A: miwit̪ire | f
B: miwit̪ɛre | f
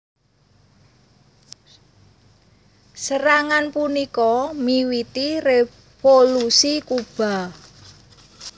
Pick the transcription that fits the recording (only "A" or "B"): A